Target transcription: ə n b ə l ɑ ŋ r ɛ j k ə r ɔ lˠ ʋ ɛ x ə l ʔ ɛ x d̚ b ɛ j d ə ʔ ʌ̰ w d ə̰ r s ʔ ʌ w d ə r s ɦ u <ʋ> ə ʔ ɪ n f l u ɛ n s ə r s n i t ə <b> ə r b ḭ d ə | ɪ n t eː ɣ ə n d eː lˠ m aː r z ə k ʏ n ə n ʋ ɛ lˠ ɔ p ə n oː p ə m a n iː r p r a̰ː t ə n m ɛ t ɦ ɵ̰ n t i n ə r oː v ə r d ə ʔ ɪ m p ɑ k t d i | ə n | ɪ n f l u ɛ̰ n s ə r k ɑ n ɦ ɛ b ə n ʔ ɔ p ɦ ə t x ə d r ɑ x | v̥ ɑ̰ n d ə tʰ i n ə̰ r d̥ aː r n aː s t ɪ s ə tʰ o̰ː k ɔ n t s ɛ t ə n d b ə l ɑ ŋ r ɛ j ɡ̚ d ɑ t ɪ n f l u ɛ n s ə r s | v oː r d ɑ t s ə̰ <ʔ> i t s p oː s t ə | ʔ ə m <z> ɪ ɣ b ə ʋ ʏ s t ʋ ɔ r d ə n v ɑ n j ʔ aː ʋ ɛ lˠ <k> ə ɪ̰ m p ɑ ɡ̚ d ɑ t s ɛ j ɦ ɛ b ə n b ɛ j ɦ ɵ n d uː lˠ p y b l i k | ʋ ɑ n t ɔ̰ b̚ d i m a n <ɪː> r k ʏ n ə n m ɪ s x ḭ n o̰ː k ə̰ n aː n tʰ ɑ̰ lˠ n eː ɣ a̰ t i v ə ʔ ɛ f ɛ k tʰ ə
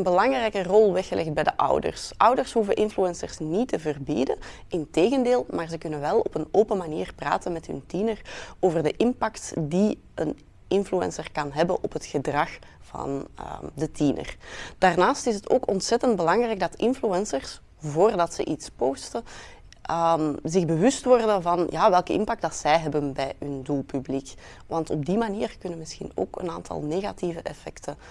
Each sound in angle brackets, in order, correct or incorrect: incorrect: v, incorrect: v, correct, correct, correct, incorrect: iː

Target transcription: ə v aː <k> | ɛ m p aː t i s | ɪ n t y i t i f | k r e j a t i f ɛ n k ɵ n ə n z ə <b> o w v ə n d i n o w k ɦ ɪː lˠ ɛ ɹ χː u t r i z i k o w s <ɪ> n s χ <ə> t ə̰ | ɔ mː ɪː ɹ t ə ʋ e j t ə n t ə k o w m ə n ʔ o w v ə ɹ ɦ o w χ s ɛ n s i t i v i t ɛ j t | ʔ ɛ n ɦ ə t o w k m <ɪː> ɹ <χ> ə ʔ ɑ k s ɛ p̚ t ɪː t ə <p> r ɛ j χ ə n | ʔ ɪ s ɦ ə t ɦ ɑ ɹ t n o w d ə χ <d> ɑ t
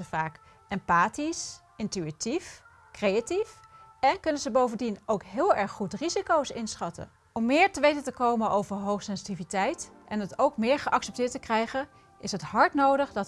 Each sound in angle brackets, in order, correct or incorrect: correct, correct, correct, incorrect: ɑ, correct, correct, incorrect: k, correct

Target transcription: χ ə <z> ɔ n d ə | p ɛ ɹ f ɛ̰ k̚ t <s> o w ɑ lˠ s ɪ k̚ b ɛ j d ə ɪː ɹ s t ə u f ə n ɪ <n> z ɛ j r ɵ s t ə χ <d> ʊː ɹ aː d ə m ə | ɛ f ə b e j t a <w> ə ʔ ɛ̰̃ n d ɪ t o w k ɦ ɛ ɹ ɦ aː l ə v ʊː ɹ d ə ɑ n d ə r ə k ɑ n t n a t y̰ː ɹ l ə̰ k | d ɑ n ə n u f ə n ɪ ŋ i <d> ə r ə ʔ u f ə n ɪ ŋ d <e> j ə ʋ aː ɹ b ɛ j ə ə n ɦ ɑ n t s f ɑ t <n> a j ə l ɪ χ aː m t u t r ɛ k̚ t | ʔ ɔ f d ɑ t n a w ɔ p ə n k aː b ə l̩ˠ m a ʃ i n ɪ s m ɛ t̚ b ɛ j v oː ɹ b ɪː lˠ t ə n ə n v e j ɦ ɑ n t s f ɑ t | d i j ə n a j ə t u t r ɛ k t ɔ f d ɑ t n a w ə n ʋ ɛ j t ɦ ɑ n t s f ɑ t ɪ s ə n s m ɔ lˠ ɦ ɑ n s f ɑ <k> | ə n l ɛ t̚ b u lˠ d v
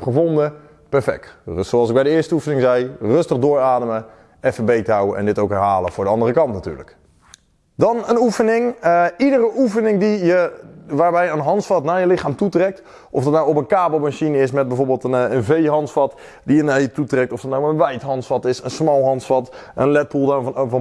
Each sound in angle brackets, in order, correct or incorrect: incorrect: v, correct, incorrect: ŋ, correct, correct, correct, incorrect: i, correct, incorrect: t

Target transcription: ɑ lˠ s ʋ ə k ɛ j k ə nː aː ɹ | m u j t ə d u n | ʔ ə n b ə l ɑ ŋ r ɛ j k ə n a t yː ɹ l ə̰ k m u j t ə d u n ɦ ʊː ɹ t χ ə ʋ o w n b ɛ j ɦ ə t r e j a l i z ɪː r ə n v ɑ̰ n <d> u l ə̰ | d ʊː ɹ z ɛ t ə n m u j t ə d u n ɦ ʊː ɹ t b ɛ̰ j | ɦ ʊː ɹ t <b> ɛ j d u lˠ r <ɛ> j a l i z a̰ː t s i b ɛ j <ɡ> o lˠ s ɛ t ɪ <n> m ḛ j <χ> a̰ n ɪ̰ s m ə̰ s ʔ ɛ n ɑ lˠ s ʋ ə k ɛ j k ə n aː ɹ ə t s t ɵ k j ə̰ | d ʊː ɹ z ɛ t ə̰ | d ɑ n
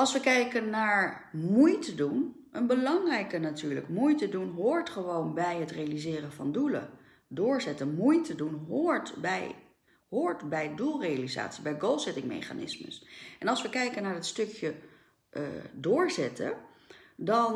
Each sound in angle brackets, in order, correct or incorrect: correct, correct, incorrect: e, correct, incorrect: ŋ, correct

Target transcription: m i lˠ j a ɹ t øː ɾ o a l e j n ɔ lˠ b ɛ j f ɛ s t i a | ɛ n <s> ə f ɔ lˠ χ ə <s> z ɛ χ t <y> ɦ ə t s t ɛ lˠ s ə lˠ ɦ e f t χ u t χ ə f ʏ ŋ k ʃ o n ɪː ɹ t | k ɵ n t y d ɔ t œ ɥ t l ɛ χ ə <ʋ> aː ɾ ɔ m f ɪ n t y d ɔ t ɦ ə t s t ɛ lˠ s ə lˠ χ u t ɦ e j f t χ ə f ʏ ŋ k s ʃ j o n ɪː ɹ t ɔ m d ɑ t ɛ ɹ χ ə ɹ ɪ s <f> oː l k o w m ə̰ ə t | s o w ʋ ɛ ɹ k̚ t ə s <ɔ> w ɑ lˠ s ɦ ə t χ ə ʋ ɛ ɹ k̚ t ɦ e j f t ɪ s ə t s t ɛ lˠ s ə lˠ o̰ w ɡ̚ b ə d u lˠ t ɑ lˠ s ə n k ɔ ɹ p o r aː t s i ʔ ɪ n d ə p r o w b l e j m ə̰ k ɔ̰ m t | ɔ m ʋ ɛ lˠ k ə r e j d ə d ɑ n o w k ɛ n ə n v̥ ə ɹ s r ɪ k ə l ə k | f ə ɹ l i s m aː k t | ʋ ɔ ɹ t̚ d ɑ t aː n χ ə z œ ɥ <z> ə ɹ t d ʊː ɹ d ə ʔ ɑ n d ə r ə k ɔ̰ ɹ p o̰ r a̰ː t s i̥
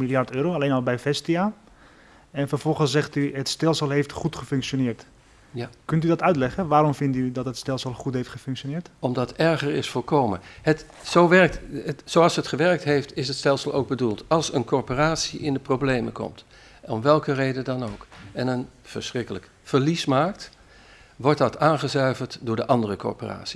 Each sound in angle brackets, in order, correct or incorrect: incorrect: f, correct, correct, correct, correct, incorrect: o, incorrect: v

